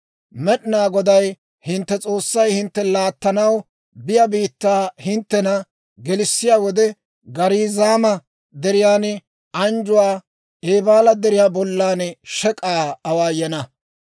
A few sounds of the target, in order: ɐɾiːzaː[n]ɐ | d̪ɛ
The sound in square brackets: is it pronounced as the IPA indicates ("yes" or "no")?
no